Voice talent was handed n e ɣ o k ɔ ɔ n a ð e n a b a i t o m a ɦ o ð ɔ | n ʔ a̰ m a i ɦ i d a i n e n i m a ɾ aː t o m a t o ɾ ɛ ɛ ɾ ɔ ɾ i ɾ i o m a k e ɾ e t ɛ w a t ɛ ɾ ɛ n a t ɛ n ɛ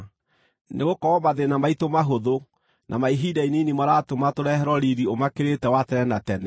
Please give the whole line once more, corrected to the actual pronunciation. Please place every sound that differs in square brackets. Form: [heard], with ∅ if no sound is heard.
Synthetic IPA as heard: n e ɣ o k ɔ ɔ [m] a ð e n a [m] a i t o m a ɦ o ð [o] | n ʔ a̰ m a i ɦ i d a i n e n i m a ɾ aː t o m a t o ɾ ɛ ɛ ɾ ɔ ɾ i ɾ i o m a k e ɾ e t ɛ w a t ɛ ɾ ɛ n a t ɛ n ɛ